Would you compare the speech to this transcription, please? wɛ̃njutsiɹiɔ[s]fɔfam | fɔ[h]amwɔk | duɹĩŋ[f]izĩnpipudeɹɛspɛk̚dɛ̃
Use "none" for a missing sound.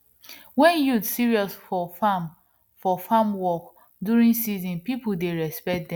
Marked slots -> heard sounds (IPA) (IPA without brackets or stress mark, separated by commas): s, f, s